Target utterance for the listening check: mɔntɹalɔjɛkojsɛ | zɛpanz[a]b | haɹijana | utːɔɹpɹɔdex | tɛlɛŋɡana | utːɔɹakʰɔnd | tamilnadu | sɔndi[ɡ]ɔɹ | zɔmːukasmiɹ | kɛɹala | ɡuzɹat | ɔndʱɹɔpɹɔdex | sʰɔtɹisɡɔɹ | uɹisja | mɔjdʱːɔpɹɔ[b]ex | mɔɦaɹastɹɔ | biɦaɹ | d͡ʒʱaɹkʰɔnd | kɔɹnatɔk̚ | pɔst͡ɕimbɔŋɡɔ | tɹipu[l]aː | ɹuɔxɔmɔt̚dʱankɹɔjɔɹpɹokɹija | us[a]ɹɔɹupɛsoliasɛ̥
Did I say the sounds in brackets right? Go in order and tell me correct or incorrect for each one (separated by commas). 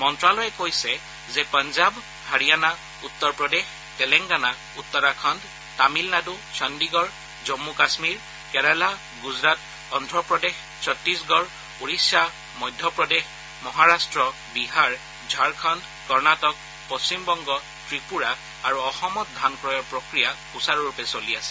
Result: correct, correct, incorrect, incorrect, correct